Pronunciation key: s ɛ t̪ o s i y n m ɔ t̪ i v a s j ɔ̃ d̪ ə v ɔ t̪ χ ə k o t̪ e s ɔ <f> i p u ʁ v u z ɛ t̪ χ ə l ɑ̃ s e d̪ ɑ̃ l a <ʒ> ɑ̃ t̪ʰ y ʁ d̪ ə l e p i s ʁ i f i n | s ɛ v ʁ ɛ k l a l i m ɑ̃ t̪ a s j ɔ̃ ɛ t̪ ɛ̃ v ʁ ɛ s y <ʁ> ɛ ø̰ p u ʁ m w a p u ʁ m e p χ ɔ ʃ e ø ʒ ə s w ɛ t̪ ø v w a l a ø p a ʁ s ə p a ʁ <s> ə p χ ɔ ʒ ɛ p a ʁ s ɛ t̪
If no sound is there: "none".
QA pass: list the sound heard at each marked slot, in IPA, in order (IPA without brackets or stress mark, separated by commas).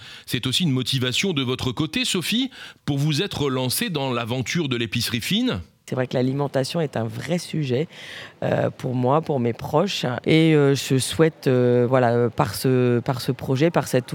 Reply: f, v, ʒ, s